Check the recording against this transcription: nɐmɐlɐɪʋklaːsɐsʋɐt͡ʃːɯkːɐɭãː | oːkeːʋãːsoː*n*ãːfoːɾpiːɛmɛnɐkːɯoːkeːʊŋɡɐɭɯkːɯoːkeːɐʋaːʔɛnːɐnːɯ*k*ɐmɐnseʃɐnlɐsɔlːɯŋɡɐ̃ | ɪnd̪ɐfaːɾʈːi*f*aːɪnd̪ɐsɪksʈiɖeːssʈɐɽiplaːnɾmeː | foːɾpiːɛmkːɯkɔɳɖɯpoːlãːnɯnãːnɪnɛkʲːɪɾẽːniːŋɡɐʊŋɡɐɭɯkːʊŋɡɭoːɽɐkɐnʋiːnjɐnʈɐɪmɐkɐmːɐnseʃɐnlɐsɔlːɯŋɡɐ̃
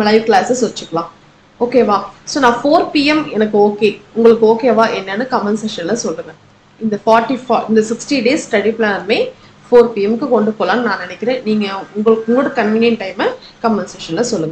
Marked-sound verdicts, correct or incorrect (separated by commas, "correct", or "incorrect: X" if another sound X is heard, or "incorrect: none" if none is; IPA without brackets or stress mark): correct, correct, correct